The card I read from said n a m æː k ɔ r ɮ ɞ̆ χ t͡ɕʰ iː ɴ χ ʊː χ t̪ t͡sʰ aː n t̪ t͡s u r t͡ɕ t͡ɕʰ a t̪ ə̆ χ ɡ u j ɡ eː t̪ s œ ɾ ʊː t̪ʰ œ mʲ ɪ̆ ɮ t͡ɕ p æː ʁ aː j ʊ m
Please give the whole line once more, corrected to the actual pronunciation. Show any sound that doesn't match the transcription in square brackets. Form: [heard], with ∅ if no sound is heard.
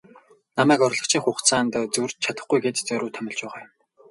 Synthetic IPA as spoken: n a m æː k ɔ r ɮ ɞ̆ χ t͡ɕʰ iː [ŋ] χ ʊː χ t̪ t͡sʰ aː n t̪ t͡s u r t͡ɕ t͡ɕʰ a t̪ ə̆ χ ɡ u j ɡ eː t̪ [t͡s] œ ɾ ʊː t̪ʰ œ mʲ ɪ̆ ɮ t͡ɕ p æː ʁ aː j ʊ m